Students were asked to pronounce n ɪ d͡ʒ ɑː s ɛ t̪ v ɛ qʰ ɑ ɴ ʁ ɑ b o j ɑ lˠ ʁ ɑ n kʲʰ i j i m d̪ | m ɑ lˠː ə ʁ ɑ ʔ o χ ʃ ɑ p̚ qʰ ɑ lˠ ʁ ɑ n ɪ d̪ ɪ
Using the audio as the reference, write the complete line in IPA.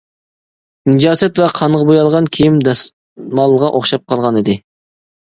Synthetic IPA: n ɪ d͡ʒ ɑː s ɛ t̪ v ɛ qʰ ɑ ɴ ʁ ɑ b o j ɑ lˠ ʁ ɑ n kʲʰ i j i m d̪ | m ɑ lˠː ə ʁ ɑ ʔ o χ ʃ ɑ p̚ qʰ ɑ lˠ ʁ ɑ n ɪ d̪ ɪ

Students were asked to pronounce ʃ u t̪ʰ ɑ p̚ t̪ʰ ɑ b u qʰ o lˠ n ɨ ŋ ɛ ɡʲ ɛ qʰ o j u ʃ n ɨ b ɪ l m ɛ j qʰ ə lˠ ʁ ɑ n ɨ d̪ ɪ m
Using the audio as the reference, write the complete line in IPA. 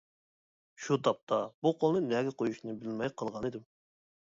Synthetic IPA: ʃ u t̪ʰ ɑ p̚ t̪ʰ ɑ b u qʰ o lˠ n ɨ n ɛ ɡʲ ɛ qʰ o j u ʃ n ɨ b ɪ l m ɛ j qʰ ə lˠ ʁ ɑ n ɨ d̪ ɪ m

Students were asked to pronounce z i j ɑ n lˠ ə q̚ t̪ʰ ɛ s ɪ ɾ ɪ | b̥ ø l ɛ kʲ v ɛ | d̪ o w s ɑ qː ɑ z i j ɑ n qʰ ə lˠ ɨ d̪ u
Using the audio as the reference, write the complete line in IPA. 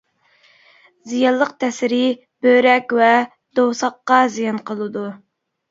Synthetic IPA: z i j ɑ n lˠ ə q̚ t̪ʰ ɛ s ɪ ɾ ɪ | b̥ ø ɾ ɛ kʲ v ɛ | d̪ o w s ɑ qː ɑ z i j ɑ n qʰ ə lˠ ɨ d̪ u

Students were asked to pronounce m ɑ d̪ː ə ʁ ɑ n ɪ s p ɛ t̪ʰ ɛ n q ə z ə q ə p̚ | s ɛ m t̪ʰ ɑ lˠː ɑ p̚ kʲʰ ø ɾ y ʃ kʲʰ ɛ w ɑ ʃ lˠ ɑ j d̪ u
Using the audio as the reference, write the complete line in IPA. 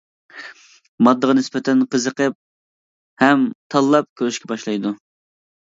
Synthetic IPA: m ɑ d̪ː ə ʁ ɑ n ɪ s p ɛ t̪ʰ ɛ n q ə z ə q ə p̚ | h ɛ m t̪ʰ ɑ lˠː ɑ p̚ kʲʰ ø ɾ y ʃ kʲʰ ɛ b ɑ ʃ lˠ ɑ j d̪ u

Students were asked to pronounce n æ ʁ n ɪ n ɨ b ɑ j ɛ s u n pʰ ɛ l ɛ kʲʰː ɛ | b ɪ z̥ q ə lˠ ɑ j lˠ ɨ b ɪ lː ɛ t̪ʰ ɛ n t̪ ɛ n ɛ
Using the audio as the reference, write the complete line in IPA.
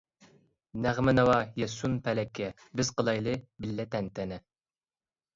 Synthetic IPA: n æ ʁ m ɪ n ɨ w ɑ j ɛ s u n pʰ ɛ l ɛ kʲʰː ɛ | b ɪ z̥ q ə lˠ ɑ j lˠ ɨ b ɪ lː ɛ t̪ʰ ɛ n t̪ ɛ n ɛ

